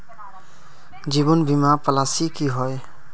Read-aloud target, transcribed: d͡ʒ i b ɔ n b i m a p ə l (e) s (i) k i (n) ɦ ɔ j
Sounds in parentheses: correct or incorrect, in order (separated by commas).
incorrect, correct, incorrect